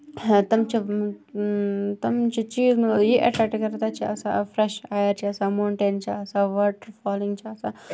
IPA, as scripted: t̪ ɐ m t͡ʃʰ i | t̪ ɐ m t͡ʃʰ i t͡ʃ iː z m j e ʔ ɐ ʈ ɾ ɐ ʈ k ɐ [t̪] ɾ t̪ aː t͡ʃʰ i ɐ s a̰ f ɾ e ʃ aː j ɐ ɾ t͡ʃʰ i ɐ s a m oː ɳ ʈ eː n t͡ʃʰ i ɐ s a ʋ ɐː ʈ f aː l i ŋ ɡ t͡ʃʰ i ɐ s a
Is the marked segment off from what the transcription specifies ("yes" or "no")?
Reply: yes